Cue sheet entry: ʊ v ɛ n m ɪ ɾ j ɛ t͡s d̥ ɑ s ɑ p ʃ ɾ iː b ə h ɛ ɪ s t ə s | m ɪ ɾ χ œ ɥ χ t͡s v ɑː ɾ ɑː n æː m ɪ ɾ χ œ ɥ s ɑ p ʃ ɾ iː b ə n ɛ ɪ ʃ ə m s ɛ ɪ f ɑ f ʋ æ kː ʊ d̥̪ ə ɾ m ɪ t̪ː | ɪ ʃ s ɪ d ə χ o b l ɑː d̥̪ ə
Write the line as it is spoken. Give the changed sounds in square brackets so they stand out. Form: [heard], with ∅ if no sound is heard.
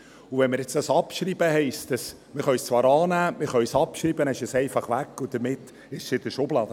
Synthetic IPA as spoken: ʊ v ɛ n m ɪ ɾ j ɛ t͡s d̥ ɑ s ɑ p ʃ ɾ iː b ə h ɛ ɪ s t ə s | m ɪ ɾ χ œ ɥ [s] t͡s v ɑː ɾ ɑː n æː m ɪ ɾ χ œ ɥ s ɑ p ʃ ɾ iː b ə n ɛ ɪ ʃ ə [∅] s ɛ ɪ f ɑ [χ] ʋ æ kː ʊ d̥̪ ə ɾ m ɪ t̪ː | ɪ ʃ s ɪ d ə [ʃ] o b l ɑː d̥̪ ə